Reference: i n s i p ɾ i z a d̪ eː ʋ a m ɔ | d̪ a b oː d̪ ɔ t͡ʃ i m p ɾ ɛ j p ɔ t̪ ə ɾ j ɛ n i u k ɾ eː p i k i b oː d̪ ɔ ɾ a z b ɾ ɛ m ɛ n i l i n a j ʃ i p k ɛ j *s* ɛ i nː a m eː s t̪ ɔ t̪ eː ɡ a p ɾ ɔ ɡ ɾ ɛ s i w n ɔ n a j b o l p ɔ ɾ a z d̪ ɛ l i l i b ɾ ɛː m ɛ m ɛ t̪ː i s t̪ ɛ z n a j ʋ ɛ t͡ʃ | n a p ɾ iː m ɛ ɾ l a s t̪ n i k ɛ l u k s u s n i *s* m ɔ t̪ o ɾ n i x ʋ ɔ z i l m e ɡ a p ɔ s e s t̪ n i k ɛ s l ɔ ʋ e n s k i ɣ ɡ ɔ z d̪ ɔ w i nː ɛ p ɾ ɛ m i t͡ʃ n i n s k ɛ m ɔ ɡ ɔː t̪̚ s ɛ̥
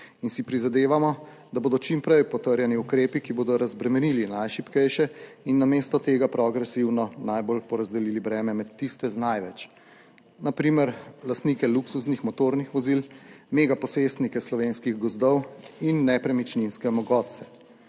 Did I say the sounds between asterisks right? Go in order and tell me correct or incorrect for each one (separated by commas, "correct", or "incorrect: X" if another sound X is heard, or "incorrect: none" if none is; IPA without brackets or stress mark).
incorrect: ʃ, incorrect: x